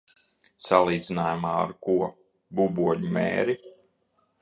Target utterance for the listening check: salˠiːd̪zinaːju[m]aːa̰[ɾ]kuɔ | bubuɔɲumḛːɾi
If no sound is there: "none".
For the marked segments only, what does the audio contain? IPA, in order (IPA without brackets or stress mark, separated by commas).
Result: m, ɾ